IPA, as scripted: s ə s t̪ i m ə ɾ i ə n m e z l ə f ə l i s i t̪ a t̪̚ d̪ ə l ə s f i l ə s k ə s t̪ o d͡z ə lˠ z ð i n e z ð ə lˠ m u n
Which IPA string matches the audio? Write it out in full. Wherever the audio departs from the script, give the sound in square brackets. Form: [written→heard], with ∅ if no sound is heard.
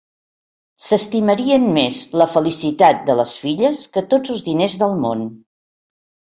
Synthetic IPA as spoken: s ə s t̪ i m ə ɾ i ə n m e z l ə f ə l i s i t̪ a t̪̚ d̪ ə l ə s f i [l→ʎ] ə s k ə [s→∅] t̪ o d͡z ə lˠ z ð i n e z ð ə lˠ m [u→o] n